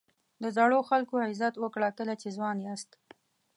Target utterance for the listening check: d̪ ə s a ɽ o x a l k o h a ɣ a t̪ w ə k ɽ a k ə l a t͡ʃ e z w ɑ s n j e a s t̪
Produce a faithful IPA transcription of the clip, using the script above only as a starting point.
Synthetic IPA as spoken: d̪ ə z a ɽ o x a l k o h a z a t̪ w ə k ɽ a k ə l a t͡ʃ e z w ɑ n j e a s t̪